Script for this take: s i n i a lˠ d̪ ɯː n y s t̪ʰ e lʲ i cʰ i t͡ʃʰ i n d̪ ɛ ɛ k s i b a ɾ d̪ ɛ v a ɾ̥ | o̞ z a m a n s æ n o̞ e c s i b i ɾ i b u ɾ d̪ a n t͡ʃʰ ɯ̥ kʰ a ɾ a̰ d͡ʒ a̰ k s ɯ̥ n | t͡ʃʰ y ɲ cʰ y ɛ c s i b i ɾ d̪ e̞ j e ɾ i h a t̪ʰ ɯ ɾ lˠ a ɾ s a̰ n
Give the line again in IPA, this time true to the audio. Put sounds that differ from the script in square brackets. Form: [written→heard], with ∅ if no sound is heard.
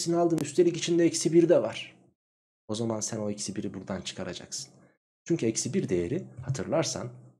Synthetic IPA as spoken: s i n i a lˠ d̪ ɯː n y s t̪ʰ e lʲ i [cʰ→c] i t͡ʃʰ i n d̪ ɛ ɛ [k→c] s i b [a→i] ɾ d̪ ɛ v a ɾ̥ | o̞ z a m a n s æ n o̞ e c s i b i ɾ i b u ɾ d̪ a n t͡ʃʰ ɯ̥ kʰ a ɾ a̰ d͡ʒ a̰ k s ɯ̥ n | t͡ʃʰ y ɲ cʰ y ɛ c s i b i ɾ d̪ e̞ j e ɾ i h a t̪ʰ ɯ ɾ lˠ a ɾ s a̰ n